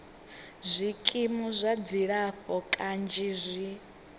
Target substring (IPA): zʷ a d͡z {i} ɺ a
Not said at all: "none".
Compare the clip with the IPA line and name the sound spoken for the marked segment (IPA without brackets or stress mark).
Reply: i